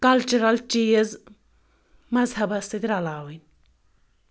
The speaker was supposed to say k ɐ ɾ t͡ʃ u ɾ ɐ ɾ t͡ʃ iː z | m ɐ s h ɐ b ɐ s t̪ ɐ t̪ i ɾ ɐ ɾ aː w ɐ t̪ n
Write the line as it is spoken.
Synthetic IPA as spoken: k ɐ l t͡ʃ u ɾ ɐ l t͡ʃ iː z | m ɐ z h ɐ b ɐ s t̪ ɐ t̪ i ɾ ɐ l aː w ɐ n